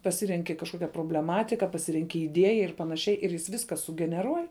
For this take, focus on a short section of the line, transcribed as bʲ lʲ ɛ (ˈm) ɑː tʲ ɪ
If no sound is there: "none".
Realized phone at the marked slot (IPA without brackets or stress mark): m